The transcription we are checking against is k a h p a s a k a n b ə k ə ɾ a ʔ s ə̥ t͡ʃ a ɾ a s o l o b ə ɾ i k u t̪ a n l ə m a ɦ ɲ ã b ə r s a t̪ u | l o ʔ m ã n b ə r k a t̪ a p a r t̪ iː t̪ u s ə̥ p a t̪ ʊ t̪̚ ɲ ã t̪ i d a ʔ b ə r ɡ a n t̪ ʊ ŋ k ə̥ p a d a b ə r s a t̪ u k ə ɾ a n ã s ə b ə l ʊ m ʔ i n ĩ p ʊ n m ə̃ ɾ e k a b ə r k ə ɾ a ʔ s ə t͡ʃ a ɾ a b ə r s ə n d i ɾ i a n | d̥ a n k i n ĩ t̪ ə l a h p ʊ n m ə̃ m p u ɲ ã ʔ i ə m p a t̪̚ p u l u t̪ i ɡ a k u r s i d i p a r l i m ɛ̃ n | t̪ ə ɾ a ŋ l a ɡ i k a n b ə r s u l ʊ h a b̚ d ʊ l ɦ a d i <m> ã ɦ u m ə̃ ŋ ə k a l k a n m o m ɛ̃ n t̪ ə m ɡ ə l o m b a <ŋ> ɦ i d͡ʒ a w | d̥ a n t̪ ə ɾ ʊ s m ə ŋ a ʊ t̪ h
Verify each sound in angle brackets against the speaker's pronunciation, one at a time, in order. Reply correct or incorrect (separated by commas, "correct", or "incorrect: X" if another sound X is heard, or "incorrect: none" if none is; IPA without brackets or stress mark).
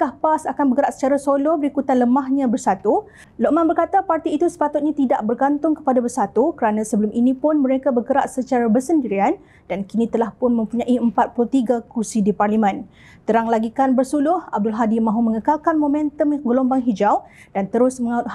correct, correct